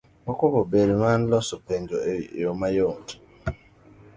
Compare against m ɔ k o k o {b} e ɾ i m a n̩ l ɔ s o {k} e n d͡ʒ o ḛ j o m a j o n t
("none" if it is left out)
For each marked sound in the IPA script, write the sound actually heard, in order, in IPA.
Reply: b, p

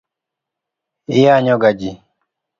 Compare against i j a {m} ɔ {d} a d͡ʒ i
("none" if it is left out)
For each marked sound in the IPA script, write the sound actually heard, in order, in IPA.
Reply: ɲ, ɡ

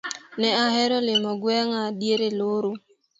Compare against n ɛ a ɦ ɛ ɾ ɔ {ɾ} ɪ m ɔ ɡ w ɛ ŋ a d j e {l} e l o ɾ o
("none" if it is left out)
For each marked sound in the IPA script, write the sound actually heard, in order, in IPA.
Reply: l, ɾ

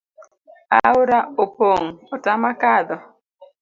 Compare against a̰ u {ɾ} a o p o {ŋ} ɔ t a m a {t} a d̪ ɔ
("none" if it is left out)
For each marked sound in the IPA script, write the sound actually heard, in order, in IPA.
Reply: ɾ, ŋ, k

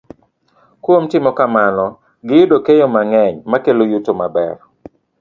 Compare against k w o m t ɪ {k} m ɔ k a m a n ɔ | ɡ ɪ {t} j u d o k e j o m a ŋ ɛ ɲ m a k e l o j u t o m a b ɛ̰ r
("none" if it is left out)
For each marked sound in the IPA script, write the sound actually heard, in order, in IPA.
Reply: none, none

